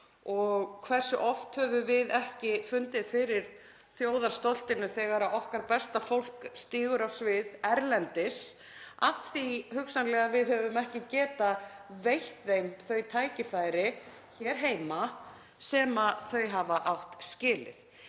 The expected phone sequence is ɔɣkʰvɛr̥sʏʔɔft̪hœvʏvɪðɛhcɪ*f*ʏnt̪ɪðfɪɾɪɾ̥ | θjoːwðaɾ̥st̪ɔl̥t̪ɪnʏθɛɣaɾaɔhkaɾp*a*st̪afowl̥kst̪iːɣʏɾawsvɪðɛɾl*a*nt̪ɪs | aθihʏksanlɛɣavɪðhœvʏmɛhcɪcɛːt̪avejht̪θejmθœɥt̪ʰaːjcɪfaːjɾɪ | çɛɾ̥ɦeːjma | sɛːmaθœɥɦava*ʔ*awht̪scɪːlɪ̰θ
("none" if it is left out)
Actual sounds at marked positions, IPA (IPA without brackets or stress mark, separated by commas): f, ɛ, ɛ, ʔ